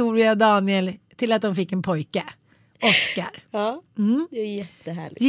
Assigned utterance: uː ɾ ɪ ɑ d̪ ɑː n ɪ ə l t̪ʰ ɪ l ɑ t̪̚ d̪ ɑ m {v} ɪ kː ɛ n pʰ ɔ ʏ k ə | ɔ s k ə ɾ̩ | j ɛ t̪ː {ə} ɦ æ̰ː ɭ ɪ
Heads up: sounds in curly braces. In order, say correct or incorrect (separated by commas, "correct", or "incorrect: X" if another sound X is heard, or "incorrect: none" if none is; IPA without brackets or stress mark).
incorrect: f, correct